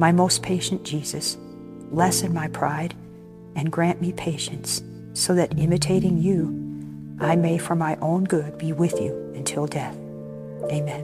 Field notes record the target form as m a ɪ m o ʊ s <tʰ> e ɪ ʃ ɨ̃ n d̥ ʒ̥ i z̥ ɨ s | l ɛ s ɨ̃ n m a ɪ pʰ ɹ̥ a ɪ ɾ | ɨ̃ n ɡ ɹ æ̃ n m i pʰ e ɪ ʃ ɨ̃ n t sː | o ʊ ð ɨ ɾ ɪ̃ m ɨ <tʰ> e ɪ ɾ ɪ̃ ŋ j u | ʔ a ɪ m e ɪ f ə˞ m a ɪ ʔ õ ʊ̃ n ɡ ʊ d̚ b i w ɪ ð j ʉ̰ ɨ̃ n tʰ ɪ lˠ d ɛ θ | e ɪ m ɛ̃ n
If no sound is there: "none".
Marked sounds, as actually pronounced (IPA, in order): pʰ, tʰ

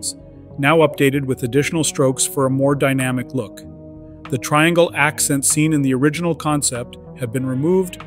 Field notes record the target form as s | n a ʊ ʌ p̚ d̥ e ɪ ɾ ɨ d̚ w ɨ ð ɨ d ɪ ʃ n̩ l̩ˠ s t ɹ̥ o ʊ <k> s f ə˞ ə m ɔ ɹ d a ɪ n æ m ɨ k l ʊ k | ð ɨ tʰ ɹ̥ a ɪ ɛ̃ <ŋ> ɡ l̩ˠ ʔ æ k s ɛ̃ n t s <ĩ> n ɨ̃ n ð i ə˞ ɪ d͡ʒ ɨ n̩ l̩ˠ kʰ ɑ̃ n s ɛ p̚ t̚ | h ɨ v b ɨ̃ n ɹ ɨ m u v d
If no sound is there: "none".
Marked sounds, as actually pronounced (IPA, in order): k, ŋ, ĩ

